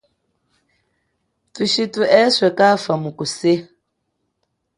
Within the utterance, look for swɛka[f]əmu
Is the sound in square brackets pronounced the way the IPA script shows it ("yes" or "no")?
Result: yes